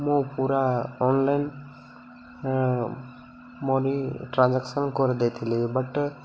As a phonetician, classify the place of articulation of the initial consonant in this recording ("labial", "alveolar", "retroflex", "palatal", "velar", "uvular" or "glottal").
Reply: labial